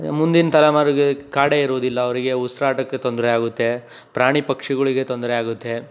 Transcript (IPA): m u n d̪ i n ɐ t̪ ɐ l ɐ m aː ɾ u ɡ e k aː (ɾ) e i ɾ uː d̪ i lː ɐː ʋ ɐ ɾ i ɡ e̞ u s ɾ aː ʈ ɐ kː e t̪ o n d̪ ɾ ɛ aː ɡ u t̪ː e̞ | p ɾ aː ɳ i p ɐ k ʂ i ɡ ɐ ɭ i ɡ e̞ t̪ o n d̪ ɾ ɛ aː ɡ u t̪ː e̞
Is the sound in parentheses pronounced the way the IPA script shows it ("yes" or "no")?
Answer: no